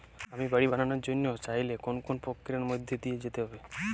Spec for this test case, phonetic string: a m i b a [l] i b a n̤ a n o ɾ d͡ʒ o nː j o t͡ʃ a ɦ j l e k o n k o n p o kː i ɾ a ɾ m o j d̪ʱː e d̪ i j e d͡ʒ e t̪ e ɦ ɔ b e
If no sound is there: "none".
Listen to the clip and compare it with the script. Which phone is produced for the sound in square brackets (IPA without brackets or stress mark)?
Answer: ɽ